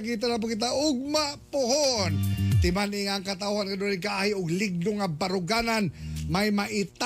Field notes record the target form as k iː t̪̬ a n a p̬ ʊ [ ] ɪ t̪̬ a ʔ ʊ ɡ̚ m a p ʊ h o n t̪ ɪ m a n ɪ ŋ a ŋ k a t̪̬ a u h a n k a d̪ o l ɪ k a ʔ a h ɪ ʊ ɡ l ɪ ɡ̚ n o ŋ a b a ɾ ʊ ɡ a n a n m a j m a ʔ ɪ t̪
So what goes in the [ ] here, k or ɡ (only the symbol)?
k